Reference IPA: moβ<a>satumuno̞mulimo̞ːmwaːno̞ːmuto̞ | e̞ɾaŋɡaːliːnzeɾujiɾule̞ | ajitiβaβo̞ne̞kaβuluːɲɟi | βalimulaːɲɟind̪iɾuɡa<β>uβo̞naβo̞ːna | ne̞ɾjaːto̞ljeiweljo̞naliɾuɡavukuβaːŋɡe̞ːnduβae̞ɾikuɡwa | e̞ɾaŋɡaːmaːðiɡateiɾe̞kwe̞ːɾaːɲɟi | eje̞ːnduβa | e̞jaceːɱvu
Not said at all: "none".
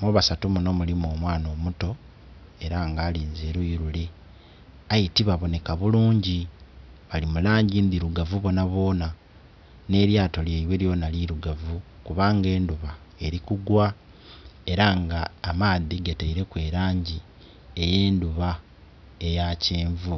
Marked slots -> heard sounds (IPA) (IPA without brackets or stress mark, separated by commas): a, v